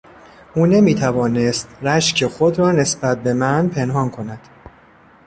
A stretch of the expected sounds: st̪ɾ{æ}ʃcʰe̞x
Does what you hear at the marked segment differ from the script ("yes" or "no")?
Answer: no